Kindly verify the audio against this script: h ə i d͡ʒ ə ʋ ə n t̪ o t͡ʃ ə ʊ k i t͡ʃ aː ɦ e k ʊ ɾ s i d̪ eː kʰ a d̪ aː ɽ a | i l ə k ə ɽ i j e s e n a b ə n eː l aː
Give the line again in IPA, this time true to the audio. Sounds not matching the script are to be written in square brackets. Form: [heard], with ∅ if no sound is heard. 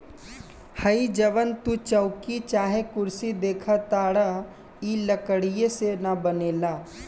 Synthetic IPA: h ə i d͡ʒ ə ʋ ə n t̪ [u] t͡ʃ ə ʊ k i t͡ʃ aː ɦ e k ʊ ɾ s i d̪ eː kʰ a [t̪] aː ɽ a | i l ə k ə ɽ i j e s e n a b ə n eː l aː